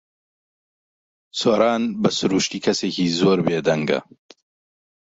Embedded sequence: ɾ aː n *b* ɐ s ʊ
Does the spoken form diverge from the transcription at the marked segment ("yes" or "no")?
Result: no